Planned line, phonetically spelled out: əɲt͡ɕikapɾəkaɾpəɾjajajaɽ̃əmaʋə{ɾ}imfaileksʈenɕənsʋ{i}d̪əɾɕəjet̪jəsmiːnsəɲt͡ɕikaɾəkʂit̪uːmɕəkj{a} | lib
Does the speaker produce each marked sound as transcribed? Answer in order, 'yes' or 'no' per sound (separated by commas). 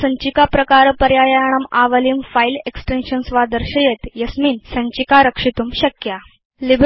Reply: no, no, yes